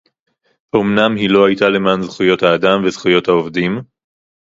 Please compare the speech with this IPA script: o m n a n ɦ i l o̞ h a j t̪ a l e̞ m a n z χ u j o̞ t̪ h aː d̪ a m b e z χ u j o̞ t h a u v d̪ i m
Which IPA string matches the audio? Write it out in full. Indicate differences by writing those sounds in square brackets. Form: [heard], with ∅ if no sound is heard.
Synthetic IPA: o m n a [m] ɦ i l o̞ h a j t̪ a l e̞ m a n z χ u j o̞ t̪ h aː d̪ a m [v] e z χ u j o̞ t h a [o] v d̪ i m